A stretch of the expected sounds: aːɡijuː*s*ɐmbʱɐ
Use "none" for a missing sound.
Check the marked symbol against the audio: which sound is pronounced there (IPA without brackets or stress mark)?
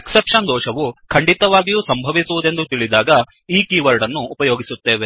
s